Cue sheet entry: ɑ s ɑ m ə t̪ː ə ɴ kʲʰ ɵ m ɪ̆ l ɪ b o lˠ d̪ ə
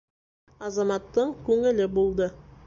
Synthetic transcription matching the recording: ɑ z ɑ m ɑ t̪ː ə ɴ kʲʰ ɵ ŋ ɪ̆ l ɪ b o lˠ d̪ ə